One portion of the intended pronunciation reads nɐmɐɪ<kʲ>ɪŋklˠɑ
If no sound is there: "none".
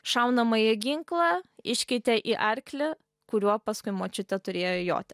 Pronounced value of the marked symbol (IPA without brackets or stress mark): ɡʲ